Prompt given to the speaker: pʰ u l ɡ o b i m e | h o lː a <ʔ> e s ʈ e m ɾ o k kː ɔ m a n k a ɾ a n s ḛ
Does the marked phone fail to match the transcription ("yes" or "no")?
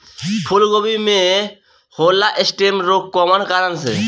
no